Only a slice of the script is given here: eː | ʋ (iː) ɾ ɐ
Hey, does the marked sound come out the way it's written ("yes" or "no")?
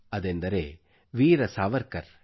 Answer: yes